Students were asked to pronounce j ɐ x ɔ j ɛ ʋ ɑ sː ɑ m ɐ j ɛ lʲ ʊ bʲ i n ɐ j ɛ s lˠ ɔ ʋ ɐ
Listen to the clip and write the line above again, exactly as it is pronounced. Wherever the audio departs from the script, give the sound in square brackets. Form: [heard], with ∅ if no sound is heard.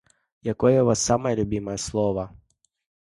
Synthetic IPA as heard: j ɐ [k] ɔ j ɛ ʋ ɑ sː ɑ m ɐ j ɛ lʲ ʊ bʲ i [m] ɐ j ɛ s lˠ ɔ ʋ ɐ